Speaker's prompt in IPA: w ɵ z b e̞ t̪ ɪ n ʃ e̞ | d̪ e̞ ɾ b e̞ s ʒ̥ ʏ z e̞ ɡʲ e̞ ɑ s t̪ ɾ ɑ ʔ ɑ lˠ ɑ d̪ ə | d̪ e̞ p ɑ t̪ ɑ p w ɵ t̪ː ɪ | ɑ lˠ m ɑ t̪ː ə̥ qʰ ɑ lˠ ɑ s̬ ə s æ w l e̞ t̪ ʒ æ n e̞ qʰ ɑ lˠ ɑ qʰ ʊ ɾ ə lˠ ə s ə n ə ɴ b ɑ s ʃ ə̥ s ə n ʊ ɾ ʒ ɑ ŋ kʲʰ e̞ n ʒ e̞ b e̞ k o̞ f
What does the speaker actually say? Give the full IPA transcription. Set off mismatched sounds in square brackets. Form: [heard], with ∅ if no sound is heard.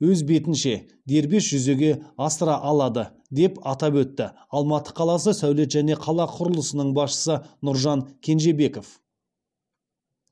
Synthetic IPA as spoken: w ɵ z b e̞ t̪ ɪ n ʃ e̞ | d̪ e̞ ɾ b e̞ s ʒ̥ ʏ z e̞ ɡʲ e̞ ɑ s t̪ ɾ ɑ ʔ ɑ lˠ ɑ d̪ ə | d̪ e̞ p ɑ t̪ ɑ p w ɵ t̪ː ɪ | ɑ lˠ m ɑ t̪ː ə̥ qʰ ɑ lˠ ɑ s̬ ə s æ w l e̞ t̪ ʒ æ n e̞ qʰ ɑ lˠ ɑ qʰ ʊ ɾ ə lˠ ə s ə n ə ɴ b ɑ s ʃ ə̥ s ə n ʊ ɾ ʒ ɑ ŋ kʲʰ e̞ n ʒ e̞ b e̞ k o̞ f

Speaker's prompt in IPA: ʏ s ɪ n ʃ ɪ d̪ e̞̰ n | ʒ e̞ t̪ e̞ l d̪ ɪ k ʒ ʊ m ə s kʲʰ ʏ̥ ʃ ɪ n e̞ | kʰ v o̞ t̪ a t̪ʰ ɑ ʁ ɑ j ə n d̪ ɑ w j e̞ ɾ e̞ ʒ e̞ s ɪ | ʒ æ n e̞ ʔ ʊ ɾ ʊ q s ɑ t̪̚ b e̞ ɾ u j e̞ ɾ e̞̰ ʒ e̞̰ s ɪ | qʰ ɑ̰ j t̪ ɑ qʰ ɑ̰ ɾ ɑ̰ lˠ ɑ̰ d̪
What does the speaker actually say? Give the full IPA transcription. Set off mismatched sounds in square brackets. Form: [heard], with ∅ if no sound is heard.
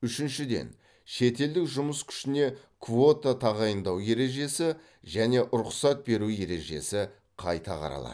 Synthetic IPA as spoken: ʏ [ʃ] ɪ n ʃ ɪ d̪ e̞̰ n | [ʃ] e̞ t̪ e̞ l d̪ ɪ k ʒ ʊ m ə s kʲʰ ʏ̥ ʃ ɪ n e̞ | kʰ v o̞ t̪ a t̪ʰ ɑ ʁ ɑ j ə n d̪ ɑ w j e̞ ɾ e̞ ʒ e̞ s ɪ | ʒ æ n e̞ ʔ ʊ ɾ ʊ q s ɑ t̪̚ b e̞ ɾ u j e̞ ɾ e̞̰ ʒ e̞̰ s ɪ | qʰ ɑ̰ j t̪ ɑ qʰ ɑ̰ ɾ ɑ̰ lˠ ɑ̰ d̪

